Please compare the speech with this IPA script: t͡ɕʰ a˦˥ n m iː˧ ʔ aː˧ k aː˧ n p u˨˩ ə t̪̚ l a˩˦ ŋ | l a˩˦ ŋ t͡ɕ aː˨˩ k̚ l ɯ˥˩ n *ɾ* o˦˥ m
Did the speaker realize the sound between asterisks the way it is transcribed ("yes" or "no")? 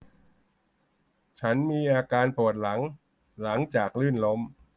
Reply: no